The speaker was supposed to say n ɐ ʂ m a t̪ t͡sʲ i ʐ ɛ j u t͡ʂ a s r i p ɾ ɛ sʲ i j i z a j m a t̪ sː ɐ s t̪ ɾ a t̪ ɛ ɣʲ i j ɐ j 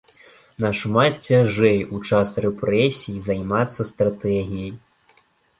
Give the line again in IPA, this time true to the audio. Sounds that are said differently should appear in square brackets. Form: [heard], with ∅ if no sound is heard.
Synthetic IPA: n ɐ ʂ m a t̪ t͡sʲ [a] ʐ ɛ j u t͡ʂ a s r [ɛ] p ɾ ɛ sʲ i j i z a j m a t̪ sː ɐ s t̪ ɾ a t̪ ɛ ɣʲ i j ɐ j